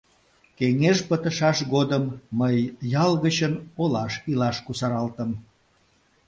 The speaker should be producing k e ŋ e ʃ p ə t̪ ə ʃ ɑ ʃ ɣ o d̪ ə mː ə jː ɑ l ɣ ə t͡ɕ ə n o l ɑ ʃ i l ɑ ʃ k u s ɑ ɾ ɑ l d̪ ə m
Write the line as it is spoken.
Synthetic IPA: k e ŋ e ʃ p ə t̪ ə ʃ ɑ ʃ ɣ o d̪ ə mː ə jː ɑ l ɣ ə t͡ɕ ə n o l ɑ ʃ i l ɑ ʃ k u s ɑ ɾ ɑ l t̪ ə m